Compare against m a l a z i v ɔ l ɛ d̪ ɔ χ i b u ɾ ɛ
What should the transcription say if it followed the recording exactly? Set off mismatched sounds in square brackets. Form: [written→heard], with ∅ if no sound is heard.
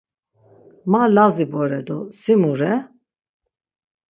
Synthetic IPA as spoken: m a l a z i [v→b] ɔ [l→ɾ] ɛ d̪ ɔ [χ→s] i [b→m] u ɾ ɛ